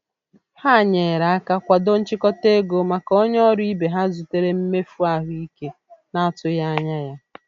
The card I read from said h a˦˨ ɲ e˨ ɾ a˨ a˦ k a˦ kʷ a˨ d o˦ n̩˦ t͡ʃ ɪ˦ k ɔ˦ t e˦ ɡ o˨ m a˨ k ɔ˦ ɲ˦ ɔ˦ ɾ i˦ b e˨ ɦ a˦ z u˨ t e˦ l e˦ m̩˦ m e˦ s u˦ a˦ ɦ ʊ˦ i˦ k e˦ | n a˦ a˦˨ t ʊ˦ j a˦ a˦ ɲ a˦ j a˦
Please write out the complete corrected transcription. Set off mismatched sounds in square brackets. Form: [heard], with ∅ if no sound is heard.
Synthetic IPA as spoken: h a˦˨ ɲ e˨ ɾ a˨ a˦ k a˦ kʷ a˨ d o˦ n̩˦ t͡ʃ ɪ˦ k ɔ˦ t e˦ ɡ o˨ m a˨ k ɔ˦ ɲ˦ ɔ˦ ɾ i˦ b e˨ ɦ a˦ z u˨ t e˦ [ɾ] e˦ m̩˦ m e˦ [f] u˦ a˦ ɦ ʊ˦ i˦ k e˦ | n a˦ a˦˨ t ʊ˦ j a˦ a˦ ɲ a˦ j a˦